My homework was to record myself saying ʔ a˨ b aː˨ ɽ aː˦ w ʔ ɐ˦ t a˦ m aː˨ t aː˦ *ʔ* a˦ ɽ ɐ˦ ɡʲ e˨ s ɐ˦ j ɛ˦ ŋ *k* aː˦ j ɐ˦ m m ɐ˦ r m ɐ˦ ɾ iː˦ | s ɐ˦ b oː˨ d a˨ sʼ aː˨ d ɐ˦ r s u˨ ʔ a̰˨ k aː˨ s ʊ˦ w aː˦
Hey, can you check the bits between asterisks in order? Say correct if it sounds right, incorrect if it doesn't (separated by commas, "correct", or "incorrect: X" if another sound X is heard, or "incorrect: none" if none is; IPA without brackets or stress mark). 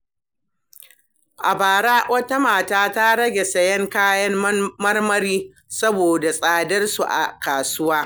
incorrect: t, correct